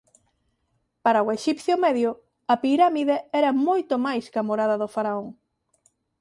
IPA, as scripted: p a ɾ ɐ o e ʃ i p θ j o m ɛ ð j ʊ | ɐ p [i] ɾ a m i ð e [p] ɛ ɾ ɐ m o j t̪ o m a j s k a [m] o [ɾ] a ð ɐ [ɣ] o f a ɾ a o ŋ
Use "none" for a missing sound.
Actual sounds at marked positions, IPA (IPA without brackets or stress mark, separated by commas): i, none, m, ɾ, ð